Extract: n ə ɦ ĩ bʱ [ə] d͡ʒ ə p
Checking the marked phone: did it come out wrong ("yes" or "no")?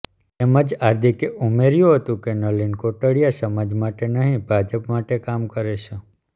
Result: yes